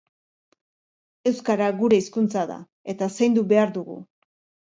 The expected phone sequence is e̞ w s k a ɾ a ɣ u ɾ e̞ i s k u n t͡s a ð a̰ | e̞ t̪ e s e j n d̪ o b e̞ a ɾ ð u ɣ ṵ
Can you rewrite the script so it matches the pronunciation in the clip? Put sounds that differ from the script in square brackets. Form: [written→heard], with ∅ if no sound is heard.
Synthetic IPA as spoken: e̞ w s k a ɾ a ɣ u ɾ e̞ i s k u n t͡s a ð a̰ | e̞ t̪ [e→a] s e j n d̪ [o→u] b e̞ a ɾ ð u ɣ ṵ